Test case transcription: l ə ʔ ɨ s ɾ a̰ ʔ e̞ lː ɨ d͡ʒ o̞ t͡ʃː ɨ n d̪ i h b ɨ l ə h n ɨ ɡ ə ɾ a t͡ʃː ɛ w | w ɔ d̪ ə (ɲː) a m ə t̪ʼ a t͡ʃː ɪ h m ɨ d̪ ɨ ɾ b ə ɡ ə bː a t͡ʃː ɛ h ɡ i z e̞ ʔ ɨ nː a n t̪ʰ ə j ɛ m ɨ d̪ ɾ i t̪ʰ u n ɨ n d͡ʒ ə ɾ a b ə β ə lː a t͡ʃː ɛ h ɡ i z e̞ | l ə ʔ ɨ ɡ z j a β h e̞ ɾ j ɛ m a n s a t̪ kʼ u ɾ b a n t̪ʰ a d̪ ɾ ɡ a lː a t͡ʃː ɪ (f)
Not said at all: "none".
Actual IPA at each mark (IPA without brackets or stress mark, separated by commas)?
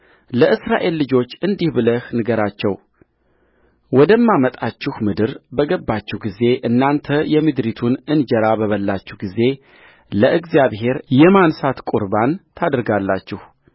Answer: mː, h